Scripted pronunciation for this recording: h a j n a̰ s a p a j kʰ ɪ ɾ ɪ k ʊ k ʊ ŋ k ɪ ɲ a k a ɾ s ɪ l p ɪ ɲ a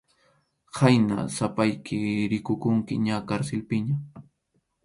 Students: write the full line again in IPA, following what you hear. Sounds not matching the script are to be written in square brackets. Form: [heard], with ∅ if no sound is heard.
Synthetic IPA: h a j n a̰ s a p a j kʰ ɪ ɾ ɪ k ʊ k ʊ ŋ k ɪ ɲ a k a ɾ s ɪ l p ɪ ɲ a